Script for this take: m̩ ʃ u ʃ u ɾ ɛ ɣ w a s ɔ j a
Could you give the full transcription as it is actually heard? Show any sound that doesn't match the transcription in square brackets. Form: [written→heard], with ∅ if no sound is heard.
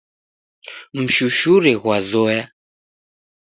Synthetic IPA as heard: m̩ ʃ u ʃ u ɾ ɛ ɣ w a [s→z] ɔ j a

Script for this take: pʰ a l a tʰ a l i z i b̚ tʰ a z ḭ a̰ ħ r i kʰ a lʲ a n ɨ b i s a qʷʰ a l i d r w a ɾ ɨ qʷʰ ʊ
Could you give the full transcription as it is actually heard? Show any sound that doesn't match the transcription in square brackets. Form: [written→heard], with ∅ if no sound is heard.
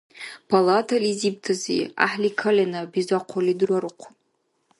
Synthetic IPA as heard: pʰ a l a tʰ a l i z i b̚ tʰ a z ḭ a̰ ħ [r→l] i kʰ a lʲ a n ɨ b i [s→z] a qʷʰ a l i d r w a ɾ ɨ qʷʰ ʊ

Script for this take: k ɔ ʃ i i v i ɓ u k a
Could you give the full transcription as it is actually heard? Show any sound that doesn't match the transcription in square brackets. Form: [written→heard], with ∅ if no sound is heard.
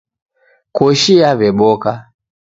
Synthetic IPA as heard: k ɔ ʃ i [i→a] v [i→ɛ] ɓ [u→ɔ] k a

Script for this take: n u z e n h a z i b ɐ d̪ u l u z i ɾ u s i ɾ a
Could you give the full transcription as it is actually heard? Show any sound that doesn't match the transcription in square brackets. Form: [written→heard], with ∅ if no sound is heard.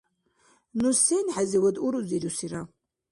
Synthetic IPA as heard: n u [z→s] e n [h→ħ] a z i [b→w] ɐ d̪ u [l→ɾ] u z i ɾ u s i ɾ a

